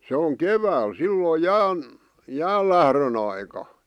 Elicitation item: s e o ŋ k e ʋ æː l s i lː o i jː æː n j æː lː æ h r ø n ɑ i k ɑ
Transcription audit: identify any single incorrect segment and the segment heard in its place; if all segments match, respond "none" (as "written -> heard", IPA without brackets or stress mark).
jː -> j